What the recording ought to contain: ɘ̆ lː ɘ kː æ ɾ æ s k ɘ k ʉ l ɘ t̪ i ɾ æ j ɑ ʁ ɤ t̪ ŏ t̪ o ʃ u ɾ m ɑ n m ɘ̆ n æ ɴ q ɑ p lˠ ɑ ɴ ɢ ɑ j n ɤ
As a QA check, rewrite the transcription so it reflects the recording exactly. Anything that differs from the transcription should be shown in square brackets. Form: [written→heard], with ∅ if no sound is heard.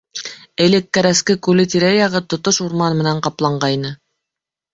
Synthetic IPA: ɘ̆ [lː→l] ɘ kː æ ɾ æ s k ɘ k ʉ l ɘ t̪ i ɾ æ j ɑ ʁ ɤ t̪ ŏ t̪ o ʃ u ɾ m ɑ n m ɘ̆ n æ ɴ q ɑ p lˠ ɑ ɴ ɢ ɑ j n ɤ